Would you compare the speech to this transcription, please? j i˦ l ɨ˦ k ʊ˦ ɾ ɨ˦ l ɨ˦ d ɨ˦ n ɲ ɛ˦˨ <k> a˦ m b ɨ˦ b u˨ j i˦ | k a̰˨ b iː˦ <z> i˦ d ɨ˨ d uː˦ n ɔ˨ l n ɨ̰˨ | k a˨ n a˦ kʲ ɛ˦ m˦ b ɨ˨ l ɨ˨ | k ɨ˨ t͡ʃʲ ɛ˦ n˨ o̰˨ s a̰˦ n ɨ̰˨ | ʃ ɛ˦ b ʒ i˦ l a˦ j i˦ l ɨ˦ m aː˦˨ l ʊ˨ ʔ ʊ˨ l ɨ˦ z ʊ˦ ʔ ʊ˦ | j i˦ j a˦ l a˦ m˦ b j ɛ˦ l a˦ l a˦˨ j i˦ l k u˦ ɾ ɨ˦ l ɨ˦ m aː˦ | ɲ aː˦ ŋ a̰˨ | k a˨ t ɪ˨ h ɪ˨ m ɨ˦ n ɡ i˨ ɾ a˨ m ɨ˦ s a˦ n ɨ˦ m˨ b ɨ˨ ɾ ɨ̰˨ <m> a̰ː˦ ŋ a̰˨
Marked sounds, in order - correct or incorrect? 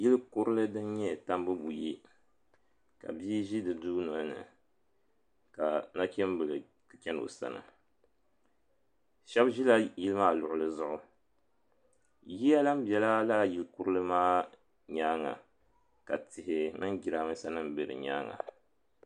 incorrect: t, incorrect: ʒ, incorrect: ɲ

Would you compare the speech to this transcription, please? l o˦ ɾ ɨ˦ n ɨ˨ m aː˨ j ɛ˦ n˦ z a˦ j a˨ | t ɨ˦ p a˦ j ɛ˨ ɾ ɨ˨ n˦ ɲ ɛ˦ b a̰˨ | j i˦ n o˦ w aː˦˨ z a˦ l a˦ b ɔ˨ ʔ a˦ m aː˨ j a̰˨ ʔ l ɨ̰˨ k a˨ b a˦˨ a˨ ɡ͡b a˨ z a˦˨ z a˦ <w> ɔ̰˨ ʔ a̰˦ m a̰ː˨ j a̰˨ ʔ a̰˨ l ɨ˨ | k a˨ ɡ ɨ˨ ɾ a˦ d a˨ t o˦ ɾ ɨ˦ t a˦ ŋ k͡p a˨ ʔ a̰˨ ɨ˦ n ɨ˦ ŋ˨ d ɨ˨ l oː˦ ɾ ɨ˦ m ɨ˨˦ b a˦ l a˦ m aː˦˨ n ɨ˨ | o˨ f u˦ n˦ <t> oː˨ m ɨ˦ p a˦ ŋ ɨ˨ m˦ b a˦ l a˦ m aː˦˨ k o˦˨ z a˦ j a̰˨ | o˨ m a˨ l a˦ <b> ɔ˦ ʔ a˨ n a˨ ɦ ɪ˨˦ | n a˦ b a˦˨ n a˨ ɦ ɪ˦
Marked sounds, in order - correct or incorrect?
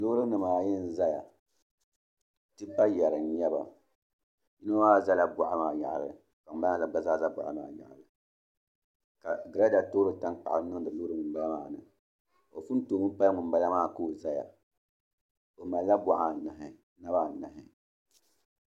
incorrect: b, correct, correct

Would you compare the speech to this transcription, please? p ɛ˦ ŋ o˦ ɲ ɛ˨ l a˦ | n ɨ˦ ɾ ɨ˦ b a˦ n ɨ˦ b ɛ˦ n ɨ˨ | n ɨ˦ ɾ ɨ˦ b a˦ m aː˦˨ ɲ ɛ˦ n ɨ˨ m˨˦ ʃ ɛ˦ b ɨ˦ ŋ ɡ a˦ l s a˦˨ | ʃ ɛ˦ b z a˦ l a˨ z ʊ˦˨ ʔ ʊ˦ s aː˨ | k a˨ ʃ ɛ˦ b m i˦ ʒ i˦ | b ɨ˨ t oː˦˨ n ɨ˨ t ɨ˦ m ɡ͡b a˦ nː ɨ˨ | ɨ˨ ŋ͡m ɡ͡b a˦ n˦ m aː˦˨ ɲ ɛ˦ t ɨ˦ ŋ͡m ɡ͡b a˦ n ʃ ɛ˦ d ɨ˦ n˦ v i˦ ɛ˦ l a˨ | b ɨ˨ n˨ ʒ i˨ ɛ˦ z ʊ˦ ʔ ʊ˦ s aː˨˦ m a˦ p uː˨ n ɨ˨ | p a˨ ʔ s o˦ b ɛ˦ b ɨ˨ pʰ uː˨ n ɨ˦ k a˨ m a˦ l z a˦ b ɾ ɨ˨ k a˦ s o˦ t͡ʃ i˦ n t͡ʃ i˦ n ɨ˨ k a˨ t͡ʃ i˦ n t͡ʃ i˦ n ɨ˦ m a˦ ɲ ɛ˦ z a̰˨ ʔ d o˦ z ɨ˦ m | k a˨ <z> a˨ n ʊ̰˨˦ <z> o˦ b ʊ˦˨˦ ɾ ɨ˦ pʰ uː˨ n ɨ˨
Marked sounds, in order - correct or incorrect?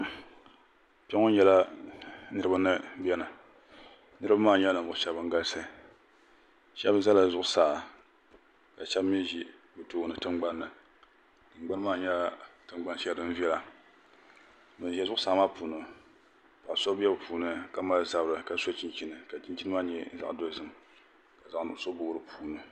correct, incorrect: s

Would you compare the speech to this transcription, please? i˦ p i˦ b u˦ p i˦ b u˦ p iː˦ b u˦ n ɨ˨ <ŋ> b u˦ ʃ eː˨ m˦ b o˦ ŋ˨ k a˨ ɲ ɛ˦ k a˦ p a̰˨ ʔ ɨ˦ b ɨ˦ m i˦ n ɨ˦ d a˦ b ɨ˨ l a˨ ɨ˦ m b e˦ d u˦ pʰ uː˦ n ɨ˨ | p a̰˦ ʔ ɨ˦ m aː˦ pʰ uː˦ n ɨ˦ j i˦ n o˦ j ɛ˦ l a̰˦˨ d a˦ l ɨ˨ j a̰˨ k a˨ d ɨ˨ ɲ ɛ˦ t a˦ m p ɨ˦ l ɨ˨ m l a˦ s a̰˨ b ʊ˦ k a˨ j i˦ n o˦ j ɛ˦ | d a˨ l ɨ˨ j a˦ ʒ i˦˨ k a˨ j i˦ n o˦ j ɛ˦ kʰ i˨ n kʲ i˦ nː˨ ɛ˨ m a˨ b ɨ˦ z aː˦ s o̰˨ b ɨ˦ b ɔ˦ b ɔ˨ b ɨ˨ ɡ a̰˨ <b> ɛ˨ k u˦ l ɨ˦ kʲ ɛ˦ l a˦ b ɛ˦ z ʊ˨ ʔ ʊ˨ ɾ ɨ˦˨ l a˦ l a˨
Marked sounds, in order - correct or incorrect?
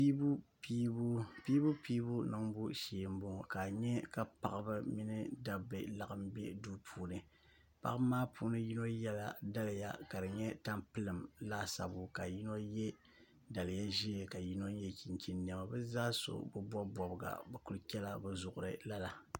correct, correct

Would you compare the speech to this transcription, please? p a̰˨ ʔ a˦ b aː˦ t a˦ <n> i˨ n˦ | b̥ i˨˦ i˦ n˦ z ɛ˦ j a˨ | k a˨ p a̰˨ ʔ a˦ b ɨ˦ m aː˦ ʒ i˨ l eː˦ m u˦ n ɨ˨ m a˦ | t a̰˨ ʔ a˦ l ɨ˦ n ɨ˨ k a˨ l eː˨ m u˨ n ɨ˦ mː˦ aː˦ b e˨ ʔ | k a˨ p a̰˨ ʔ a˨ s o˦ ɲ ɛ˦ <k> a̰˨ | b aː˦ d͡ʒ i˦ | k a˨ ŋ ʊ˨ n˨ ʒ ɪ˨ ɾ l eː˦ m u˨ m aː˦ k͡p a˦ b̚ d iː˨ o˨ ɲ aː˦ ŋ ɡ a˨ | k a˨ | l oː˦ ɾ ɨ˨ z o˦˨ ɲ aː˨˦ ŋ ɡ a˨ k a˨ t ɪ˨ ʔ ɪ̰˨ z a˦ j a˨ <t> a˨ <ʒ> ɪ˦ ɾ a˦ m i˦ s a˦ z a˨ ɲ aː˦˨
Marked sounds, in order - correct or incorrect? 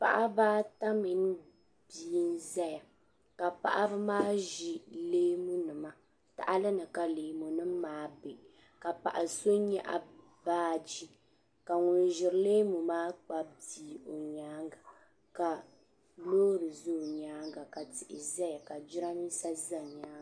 incorrect: m, incorrect: ʔ, incorrect: k, incorrect: d͡ʒ

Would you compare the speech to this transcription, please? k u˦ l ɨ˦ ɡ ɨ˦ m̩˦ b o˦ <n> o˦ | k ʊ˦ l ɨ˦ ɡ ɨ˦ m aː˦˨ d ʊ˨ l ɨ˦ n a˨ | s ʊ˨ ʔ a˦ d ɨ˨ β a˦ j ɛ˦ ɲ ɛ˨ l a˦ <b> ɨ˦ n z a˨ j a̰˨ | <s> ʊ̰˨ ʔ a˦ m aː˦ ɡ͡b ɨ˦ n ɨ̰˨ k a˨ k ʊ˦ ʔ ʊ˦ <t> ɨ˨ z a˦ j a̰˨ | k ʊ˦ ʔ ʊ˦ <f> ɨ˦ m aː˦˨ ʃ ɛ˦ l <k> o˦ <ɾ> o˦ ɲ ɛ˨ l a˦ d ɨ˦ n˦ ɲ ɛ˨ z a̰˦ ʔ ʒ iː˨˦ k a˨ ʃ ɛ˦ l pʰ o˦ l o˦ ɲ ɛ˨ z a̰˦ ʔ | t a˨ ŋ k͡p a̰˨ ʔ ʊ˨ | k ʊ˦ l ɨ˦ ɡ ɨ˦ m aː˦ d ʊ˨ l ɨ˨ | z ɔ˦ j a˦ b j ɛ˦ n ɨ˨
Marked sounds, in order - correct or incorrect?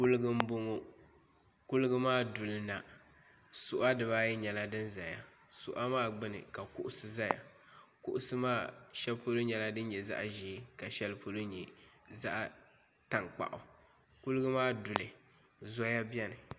incorrect: ŋ, incorrect: d, correct, incorrect: s, incorrect: s, incorrect: p, incorrect: l

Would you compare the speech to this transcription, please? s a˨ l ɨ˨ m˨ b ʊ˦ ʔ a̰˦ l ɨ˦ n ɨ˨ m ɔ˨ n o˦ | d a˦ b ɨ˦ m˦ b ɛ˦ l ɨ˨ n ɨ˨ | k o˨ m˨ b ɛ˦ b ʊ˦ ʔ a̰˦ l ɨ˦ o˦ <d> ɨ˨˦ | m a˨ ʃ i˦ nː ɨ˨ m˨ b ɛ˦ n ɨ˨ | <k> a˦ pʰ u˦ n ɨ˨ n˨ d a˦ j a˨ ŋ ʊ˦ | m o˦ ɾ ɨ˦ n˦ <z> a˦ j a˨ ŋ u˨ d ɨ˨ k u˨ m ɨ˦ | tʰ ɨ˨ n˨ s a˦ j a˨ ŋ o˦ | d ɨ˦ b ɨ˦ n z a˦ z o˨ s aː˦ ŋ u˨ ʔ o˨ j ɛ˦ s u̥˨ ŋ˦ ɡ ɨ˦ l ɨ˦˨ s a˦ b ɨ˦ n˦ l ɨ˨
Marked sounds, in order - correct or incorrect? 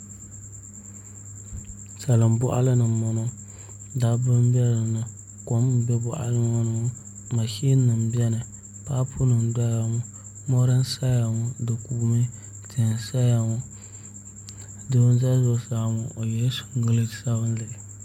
incorrect: n, incorrect: p, incorrect: s

